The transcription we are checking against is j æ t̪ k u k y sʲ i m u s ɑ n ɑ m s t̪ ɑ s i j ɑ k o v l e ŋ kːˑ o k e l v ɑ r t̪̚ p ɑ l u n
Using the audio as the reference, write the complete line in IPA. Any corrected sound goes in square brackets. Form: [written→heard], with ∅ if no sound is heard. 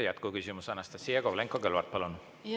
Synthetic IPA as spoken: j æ t̪ k u k y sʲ i m u s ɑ n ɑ [m→∅] s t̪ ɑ s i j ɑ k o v l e ŋ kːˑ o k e l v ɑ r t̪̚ p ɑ l u n